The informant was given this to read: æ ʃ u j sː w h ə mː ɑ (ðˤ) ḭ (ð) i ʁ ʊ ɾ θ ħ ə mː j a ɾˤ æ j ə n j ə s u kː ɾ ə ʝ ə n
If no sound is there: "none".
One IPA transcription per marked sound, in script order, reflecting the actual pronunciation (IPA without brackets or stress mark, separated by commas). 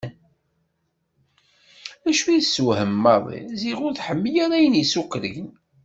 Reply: ðˤ, z